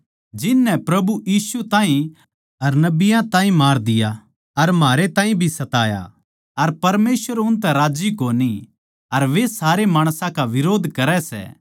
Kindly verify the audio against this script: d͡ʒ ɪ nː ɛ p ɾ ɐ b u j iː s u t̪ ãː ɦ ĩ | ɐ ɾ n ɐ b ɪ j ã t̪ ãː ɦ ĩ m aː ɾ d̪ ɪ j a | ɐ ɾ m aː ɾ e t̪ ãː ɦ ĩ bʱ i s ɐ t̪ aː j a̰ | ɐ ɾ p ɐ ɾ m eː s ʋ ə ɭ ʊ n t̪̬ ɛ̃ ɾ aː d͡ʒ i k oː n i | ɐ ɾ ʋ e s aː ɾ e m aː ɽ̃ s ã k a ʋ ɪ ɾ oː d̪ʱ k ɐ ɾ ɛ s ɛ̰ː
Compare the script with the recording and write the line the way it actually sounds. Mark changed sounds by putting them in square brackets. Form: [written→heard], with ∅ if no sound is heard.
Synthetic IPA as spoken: d͡ʒ ɪ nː ɛ p ɾ ɐ b u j iː s u t̪ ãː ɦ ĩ | ɐ ɾ n ɐ b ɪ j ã t̪ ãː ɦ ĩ m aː ɾ d̪ ɪ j a | ɐ ɾ m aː ɾ e t̪ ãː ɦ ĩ bʱ i s ɐ t̪ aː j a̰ | ɐ ɾ p ɐ ɾ m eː s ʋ ə [ɭ→ɾ] ʊ n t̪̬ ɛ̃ ɾ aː d͡ʒ i k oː n i | ɐ ɾ ʋ e s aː ɾ e m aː ɽ̃ s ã k a ʋ ɪ ɾ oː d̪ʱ k ɐ ɾ ɛ s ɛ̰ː

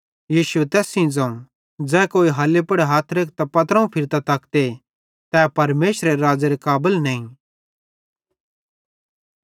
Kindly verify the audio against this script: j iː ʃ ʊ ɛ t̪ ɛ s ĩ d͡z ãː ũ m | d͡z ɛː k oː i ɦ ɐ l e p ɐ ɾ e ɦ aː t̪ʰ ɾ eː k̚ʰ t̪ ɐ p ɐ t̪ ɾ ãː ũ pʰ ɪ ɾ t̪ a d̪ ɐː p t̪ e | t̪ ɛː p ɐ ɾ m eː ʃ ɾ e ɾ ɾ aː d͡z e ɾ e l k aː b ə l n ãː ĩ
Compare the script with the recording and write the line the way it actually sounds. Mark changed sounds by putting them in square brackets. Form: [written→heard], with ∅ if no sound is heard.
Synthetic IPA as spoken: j iː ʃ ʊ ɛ t̪ [ɛ→ɛː] s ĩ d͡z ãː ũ [m→∅] | d͡z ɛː k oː i ɦ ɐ l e p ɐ [ɾ→ɽ] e ɦ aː t̪ʰ ɾ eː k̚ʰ t̪ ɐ p ɐ t̪ ɾ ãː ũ pʰ ɪ ɾ t̪ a [d̪→t̪] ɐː [p→k] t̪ e | t̪ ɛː p ɐ ɾ m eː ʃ ɾ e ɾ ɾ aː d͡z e ɾ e [l→∅] k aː b ə l n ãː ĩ

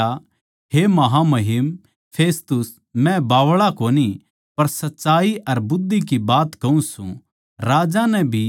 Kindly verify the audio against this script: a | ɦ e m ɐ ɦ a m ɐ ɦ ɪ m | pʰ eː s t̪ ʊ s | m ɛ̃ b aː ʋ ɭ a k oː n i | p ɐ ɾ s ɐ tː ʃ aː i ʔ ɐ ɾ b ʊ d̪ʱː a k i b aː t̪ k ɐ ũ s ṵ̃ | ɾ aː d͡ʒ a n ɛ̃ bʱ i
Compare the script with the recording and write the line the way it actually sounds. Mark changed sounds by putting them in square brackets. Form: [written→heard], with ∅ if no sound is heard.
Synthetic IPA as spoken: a | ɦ e m ɐ ɦ a m ɐ ɦ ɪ m | pʰ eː s t̪ ʊ s | m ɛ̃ b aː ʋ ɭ a k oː n i | p ɐ ɾ s ɐ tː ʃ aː i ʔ ɐ ɾ b ʊ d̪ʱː [a→i] k i b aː t̪ k ɐ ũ s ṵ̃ | ɾ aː d͡ʒ a n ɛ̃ bʱ i

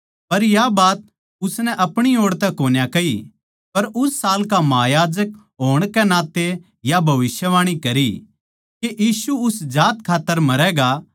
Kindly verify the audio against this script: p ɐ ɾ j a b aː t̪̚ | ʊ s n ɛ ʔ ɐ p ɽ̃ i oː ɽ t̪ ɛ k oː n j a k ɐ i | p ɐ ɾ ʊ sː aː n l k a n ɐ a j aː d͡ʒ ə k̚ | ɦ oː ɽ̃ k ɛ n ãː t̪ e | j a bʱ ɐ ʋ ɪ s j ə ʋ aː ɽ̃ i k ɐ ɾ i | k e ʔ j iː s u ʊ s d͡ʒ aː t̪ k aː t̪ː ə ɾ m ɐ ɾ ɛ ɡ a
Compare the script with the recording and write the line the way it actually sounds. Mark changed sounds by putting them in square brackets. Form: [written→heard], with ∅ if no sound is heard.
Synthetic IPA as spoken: p ɐ ɾ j a b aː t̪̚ | ʊ s n ɛ ʔ ɐ p ɽ̃ i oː ɽ t̪ ɛ k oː n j a k ɐ i | p ɐ ɾ ʊ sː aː [n→∅] l k a [n→m] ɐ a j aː d͡ʒ ə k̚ | ɦ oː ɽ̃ k ɛ n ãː t̪ e | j a bʱ ɐ ʋ ɪ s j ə ʋ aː ɽ̃ i k ɐ ɾ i | k e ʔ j iː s u ʊ s d͡ʒ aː t̪ [k→kʰ] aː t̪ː ə ɾ m ɐ ɾ ɛ ɡ a

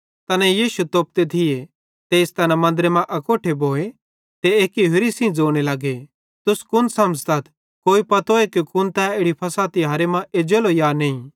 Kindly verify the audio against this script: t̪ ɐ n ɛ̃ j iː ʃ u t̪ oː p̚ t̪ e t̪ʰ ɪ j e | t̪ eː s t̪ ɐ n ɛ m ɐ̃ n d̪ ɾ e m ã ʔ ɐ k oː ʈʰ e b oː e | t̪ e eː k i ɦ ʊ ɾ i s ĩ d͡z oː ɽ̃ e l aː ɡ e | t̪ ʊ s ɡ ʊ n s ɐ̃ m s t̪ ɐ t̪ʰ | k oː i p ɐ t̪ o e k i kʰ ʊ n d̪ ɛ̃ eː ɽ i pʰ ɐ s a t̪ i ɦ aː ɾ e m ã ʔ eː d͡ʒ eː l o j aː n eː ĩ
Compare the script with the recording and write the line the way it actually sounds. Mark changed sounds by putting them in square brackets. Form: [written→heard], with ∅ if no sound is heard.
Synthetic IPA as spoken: t̪ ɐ n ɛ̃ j iː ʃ u t̪ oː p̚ t̪ e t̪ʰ ɪ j e | t̪ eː s t̪ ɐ n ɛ m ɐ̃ n d̪ ɾ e m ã ʔ ɐ k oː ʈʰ e b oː e | t̪ e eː k i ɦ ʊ ɾ i s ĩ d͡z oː ɽ̃ e l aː ɡ e | t̪ ʊ s [ɡ→k] ʊ n s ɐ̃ m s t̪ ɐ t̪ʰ | k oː i p ɐ t̪ o e k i [kʰ→k] ʊ n [d̪→t̪] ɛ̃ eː ɽ i pʰ ɐ s a t̪ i ɦ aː ɾ e m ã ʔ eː d͡ʒ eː l o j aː n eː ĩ

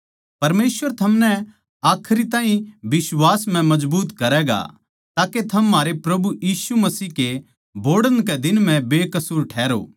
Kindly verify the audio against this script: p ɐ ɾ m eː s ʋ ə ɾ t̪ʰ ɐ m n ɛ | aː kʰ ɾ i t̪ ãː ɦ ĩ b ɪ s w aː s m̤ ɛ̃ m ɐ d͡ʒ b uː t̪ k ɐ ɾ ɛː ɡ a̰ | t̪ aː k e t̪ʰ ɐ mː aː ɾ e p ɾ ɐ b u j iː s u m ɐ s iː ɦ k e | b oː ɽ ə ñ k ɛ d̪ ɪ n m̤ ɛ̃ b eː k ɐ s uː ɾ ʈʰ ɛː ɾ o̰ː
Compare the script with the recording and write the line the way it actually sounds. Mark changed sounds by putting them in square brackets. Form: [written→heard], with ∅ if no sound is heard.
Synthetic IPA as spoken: p ɐ ɾ m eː s ʋ ə ɾ t̪ʰ ɐ m n ɛ | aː kʰ ɾ i t̪ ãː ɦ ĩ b ɪ s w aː s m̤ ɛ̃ m ɐ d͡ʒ b uː t̪ k ɐ ɾ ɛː ɡ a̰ | t̪ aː k e t̪ʰ ɐ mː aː ɾ e p ɾ ɐ b u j iː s u m ɐ s iː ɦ k e | b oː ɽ ə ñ k ɛ d̪ ɪ n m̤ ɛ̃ b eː k ɐ s uː ɾ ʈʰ ɛː ɾ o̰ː

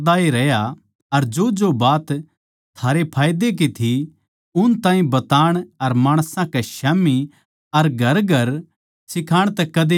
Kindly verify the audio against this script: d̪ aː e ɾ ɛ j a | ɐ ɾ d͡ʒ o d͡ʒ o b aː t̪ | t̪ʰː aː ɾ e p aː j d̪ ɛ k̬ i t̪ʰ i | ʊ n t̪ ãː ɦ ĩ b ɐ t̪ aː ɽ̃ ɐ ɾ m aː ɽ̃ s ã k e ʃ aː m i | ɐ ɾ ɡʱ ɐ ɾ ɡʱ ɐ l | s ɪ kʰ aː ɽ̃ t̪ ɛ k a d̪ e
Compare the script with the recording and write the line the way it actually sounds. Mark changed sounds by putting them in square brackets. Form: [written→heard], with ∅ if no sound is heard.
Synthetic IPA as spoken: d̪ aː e ɾ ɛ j a | ɐ ɾ d͡ʒ o d͡ʒ o b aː t̪ | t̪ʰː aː ɾ e [p→pʰ] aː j d̪ [ɛ→e] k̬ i t̪ʰ i | ʊ n t̪ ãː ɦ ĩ b ɐ t̪ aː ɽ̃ ɐ ɾ m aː ɽ̃ s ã k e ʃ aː m i | ɐ ɾ ɡʱ ɐ ɾ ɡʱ ɐ [l→ɾ] | s ɪ kʰ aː ɽ̃ t̪ ɛ k [a→ɐ] d̪ e

